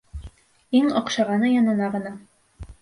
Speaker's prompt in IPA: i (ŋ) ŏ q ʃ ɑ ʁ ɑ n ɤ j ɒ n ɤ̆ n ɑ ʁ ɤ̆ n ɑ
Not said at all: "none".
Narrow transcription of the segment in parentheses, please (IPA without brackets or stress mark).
ŋ